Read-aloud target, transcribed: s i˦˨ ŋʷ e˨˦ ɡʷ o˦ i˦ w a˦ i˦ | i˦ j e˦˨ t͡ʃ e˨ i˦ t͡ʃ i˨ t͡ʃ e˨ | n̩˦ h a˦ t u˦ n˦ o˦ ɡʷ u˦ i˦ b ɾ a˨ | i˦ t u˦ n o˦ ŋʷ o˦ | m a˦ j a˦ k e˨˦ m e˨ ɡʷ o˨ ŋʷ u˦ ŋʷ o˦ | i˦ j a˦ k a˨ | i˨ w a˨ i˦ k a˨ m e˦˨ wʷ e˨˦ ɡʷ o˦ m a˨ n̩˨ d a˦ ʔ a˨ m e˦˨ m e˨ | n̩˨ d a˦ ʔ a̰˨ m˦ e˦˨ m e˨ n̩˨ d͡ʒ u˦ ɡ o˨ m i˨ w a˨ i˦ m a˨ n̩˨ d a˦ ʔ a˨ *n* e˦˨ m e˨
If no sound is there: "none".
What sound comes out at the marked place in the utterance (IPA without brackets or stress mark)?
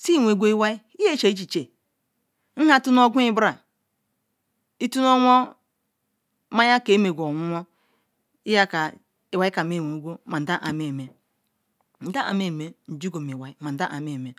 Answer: m